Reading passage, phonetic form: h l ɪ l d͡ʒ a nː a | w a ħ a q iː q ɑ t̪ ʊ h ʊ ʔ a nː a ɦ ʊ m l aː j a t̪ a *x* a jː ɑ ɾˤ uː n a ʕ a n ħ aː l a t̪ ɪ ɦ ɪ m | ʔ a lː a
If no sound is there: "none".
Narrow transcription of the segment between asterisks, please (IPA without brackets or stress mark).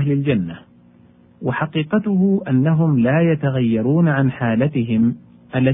ɣ